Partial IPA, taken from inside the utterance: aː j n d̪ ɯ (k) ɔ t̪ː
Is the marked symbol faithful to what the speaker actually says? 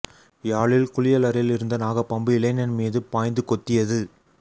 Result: yes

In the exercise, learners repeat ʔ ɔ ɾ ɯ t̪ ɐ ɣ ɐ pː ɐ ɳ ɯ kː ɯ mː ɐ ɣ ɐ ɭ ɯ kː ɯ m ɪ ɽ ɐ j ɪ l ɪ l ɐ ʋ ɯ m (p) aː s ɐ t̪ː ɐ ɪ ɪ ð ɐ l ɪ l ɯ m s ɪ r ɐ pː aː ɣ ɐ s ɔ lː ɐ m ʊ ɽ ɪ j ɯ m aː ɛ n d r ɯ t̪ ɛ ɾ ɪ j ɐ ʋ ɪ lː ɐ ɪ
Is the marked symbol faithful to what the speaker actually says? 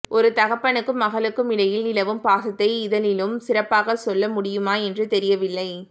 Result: yes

